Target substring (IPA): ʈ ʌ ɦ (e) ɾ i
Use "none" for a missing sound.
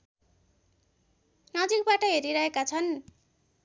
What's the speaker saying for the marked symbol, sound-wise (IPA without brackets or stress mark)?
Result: e